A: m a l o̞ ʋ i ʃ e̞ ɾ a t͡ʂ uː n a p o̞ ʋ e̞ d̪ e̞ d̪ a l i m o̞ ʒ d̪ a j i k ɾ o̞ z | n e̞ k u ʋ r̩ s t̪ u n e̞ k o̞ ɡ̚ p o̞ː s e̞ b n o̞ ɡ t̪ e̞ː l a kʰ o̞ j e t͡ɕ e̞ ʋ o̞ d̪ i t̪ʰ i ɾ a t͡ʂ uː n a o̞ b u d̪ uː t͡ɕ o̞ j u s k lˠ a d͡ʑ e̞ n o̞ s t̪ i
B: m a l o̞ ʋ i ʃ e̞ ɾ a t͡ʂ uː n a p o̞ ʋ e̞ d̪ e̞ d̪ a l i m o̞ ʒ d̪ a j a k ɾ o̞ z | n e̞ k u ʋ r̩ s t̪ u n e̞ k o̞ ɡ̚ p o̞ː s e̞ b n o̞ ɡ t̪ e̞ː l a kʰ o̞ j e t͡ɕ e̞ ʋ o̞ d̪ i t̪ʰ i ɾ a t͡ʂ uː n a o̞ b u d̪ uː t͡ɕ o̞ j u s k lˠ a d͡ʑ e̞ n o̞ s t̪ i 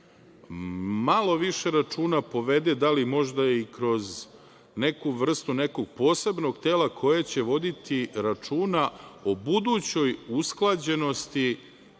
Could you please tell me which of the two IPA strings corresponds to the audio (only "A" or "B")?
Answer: A